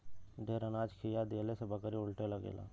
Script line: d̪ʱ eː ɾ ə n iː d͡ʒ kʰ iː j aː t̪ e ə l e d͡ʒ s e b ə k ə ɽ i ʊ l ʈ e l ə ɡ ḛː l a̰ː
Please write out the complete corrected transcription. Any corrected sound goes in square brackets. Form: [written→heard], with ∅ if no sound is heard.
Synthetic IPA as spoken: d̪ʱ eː ɾ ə n [iː→aː] d͡ʒ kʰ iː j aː [t̪→d̪] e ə l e [d͡ʒ→∅] s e b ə k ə [ɽ→ɾ] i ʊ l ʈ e l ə ɡ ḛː l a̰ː